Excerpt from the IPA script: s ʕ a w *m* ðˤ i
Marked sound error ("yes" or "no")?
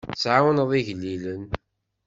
yes